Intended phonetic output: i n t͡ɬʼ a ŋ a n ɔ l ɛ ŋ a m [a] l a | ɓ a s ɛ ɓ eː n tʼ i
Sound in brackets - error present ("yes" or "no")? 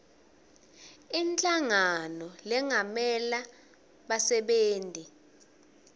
yes